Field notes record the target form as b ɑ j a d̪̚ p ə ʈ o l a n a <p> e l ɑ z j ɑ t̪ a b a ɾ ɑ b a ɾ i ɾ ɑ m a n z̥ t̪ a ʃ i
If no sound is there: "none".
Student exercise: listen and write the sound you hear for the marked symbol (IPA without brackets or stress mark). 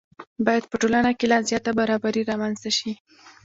k